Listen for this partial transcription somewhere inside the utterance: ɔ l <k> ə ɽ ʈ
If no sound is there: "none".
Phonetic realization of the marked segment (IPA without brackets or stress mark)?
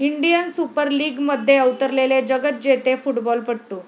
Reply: p